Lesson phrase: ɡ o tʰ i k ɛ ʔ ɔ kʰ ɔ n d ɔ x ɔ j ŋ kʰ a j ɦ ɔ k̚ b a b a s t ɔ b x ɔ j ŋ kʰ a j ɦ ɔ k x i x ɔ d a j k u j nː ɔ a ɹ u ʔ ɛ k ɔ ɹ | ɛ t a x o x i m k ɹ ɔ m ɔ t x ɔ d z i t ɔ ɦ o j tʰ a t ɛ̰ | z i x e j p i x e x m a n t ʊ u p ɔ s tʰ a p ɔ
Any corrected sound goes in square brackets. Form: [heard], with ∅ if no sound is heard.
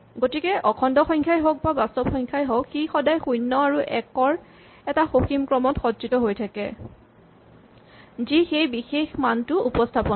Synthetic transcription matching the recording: ɡ o [t] i k ɛ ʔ ɔ kʰ ɔ n d ɔ x ɔ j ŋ kʰ a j ɦ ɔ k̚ b a b a s t ɔ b x ɔ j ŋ kʰ a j ɦ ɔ k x i x ɔ d a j [x] u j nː ɔ a ɹ u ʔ ɛ k ɔ ɹ | ɛ t a x o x i m k ɹ ɔ m ɔ t x ɔ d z i t ɔ ɦ o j tʰ a [k] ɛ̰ | z i x e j [b] i x e x m a n t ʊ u p ɔ s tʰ a p ɔ